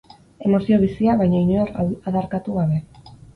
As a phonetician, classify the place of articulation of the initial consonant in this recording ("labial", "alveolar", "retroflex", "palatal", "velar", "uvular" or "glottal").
labial